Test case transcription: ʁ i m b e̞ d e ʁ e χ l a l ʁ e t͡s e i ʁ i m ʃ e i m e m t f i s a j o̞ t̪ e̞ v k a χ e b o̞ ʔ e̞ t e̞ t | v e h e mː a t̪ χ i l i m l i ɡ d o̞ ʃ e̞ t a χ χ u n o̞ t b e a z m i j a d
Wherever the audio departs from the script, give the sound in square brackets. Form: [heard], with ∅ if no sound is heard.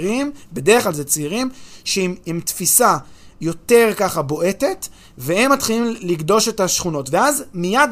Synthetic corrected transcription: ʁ i m b e̞ d e ʁ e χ l a l [z] e t͡s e i ʁ i m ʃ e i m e m t f i s a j o̞ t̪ e̞ [ʁ] k a χ [a] b o̞ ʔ e̞ t e̞ t | v e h e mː a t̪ χ i l i m l i ɡ d o̞ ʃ e̞ t a [ʃ] χ u n o̞ t [v] e a z m i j a d